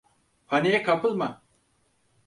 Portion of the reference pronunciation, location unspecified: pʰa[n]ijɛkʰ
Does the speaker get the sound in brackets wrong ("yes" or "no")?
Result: no